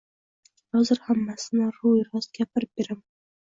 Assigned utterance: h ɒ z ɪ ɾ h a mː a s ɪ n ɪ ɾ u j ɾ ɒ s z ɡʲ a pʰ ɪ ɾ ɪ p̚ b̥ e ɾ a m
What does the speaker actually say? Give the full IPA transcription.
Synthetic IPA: h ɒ z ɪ ɾ h a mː a s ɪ n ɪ ɾ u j ɾ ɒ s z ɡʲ a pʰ ɪ ɾ ɪ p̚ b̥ e ɾ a m